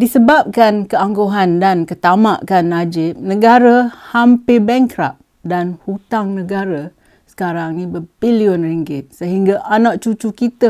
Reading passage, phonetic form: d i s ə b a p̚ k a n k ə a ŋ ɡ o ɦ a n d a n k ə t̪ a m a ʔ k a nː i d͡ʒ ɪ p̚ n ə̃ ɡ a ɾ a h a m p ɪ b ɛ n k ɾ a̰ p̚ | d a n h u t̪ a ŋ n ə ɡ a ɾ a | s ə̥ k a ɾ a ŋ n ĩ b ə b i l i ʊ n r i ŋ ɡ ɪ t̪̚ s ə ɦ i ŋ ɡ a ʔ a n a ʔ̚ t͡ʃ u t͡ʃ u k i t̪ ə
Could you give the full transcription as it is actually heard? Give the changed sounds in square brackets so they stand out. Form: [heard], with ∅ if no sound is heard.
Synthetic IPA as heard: d i s ə b a p̚ k a n k ə a ŋ ɡ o ɦ a n d a n k ə t̪ a m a ʔ k a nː [a] d͡ʒ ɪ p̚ n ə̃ ɡ a ɾ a h a m p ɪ b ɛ [ŋ] k ɾ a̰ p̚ | d a n h u t̪ a ŋ n ə ɡ a ɾ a | s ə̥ k a ɾ a ŋ n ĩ b ə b i l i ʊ n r i ŋ ɡ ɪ t̪̚ s ə ɦ i ŋ ɡ a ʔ a n a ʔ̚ t͡ʃ u t͡ʃ u k i t̪ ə